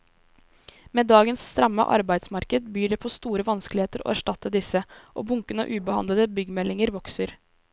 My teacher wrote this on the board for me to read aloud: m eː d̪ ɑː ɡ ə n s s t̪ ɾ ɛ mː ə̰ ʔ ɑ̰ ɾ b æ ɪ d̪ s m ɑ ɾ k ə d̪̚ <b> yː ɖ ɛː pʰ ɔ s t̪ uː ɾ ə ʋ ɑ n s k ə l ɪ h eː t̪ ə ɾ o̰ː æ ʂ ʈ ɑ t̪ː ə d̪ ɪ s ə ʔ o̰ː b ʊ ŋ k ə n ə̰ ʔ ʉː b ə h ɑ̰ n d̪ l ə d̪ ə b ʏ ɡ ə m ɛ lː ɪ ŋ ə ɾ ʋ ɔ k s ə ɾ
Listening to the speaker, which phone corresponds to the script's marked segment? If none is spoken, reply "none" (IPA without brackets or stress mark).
b